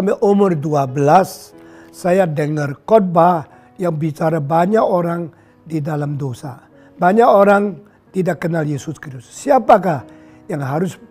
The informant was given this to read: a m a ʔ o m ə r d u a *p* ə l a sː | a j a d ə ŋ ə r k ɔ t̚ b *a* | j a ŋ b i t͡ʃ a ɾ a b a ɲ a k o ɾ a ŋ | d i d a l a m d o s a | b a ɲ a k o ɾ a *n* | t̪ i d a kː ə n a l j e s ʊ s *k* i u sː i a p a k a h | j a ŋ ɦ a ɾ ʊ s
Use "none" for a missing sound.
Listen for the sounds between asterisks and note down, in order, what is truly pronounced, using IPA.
b, a, ŋ, k

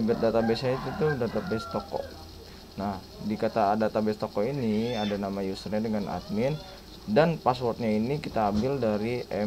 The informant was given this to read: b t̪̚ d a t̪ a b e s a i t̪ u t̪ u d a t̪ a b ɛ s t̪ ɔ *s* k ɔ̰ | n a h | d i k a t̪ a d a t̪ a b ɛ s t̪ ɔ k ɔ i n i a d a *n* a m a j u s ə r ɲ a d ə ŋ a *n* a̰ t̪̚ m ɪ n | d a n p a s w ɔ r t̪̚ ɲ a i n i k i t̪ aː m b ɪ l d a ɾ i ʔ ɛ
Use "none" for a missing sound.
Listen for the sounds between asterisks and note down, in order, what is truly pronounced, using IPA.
none, n, n

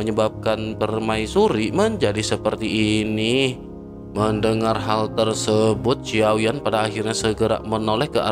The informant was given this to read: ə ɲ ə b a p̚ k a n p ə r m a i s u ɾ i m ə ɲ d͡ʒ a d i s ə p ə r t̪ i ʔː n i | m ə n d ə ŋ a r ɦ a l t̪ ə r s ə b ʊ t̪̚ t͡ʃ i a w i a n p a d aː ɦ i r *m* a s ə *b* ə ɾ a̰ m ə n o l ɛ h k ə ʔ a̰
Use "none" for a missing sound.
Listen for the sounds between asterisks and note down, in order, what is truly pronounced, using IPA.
ɲ, ɡ

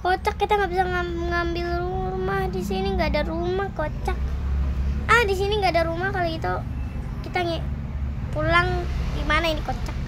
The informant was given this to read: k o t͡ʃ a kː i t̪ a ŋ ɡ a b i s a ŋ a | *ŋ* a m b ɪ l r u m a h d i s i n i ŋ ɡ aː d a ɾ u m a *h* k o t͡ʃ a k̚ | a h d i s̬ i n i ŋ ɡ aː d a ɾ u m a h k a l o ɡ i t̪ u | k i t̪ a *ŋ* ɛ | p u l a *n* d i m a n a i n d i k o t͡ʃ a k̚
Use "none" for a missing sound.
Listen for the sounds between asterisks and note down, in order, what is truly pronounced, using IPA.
ŋ, h, ŋ, ŋ

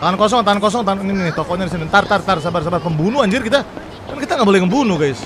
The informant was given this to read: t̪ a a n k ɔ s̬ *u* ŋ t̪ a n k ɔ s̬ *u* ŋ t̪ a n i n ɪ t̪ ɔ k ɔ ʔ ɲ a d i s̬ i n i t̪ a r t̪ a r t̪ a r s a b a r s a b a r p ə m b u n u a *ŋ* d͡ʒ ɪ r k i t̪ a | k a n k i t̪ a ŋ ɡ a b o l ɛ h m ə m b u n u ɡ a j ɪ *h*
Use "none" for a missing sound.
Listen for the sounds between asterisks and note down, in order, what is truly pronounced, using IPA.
ɔ, ɔ, ɲ, s

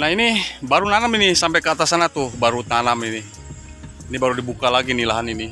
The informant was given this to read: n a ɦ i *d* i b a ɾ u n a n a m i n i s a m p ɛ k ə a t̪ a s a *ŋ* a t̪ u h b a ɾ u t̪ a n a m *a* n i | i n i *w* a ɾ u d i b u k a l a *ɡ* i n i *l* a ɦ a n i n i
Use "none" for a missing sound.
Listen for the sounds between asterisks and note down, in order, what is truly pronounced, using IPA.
n, n, i, b, ɡ, l

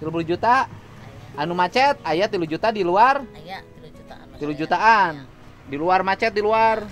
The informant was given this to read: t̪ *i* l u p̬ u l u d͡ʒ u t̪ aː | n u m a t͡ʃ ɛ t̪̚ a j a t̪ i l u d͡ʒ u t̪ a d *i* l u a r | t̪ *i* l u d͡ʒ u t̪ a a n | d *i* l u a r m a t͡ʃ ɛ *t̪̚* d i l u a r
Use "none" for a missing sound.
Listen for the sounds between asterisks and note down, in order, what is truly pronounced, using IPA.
i, i, i, i, t̪̚

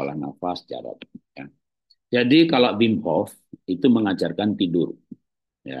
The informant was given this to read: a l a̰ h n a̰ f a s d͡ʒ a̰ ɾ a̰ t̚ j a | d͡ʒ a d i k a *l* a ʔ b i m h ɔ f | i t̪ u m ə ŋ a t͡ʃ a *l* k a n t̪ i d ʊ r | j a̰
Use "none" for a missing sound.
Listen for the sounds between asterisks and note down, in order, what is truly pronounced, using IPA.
l, r

